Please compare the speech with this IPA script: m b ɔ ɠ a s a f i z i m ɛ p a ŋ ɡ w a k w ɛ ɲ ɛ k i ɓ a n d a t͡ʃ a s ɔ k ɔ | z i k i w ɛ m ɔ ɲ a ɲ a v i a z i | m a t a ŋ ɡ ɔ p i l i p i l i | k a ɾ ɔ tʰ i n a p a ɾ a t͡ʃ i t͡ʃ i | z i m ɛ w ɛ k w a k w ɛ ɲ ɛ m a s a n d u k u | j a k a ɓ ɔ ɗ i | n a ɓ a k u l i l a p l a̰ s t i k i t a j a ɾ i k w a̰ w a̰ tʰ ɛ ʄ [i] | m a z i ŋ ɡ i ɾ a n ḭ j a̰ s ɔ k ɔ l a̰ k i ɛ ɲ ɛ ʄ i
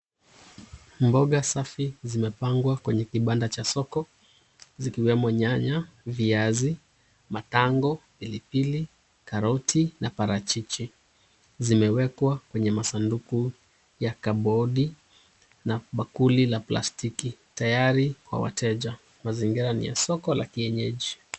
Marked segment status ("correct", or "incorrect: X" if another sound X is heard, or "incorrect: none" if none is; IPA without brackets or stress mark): incorrect: a